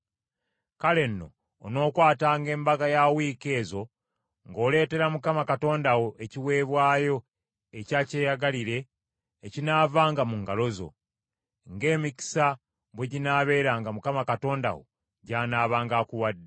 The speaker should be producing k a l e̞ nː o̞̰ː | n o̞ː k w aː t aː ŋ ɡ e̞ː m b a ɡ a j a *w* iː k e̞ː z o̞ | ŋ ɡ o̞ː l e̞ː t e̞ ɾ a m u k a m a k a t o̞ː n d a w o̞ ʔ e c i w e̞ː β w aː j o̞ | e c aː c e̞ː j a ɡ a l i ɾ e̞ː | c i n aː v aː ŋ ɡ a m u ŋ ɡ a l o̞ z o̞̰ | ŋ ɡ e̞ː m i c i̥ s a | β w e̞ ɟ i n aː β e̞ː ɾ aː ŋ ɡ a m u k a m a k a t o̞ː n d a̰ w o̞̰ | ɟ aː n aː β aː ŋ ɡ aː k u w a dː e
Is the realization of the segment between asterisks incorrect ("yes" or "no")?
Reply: no